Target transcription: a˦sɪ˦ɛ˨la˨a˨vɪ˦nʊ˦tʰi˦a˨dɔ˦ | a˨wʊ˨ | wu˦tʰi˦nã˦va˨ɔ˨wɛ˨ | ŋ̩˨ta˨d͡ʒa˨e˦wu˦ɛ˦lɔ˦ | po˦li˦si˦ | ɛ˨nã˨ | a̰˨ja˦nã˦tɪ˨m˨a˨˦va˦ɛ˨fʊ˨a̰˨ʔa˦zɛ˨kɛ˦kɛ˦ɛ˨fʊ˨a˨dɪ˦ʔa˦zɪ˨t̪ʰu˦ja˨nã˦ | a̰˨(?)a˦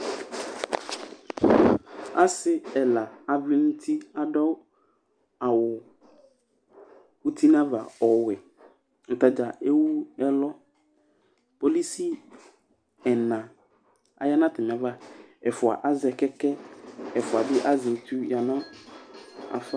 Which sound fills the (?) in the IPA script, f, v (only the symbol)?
f